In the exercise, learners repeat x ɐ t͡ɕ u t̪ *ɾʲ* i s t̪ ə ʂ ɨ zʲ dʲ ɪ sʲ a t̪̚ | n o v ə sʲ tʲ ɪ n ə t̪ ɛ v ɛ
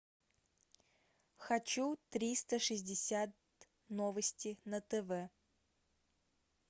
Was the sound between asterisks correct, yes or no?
yes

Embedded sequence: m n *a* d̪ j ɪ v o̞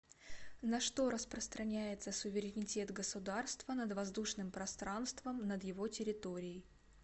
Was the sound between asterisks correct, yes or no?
no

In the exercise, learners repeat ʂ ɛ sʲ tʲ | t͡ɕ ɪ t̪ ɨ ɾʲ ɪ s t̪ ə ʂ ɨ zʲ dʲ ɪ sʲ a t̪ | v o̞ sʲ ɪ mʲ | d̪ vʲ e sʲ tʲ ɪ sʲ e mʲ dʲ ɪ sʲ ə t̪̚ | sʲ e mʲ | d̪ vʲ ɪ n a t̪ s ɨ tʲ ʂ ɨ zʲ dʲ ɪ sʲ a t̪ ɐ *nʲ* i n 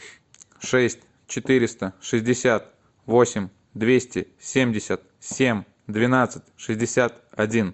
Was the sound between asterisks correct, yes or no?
no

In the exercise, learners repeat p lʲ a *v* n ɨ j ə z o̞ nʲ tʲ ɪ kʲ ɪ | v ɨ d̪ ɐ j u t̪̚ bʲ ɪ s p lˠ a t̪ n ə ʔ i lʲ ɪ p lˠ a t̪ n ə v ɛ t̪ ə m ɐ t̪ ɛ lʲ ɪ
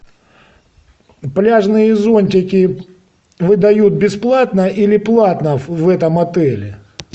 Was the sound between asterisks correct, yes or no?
no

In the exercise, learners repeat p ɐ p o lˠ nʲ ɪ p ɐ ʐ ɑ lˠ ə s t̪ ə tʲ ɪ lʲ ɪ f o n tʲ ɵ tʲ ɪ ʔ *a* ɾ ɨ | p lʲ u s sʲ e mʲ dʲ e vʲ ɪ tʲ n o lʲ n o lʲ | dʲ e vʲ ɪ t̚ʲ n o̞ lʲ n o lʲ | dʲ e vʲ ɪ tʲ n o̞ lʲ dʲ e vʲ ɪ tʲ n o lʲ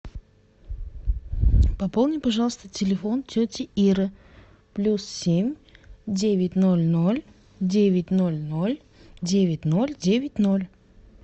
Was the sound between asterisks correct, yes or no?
no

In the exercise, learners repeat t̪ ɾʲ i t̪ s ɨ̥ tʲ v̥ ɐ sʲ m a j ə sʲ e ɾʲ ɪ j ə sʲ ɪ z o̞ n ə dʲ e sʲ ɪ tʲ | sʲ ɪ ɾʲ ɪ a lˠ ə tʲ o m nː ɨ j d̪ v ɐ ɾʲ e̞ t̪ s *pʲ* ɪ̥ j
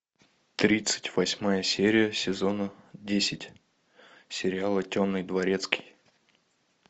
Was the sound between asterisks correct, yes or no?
no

